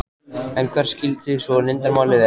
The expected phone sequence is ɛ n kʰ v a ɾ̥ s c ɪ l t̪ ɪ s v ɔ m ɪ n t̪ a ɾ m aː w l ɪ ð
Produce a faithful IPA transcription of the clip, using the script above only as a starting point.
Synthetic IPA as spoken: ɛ ŋ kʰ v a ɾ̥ s c ɪ l t̪ ɪ s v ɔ n ɪ n t̪ a ɾ m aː w l ɪ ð